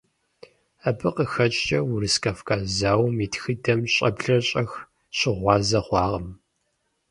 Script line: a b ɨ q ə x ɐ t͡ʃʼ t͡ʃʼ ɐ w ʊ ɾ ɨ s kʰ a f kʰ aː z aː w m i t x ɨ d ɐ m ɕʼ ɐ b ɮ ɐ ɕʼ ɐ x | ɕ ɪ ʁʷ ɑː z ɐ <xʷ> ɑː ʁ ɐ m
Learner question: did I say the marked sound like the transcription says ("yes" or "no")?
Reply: no